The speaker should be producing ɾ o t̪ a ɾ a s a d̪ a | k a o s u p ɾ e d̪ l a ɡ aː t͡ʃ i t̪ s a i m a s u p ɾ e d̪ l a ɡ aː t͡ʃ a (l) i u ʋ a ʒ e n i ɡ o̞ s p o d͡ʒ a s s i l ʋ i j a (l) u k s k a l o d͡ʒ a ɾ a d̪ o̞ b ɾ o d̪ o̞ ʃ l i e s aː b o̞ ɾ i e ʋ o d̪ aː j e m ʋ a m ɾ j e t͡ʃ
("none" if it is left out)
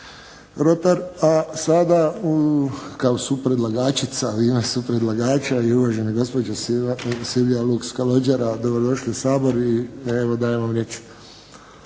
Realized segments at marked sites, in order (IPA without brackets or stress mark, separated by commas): none, l